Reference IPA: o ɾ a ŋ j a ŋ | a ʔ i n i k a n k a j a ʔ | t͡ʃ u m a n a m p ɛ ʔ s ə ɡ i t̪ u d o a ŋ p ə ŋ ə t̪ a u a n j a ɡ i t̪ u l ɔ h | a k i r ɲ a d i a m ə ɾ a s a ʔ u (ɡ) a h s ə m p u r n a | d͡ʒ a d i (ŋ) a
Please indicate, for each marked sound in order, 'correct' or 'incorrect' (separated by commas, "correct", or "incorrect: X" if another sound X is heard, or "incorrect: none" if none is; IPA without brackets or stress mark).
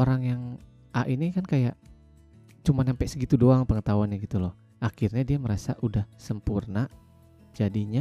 incorrect: d, incorrect: ɲ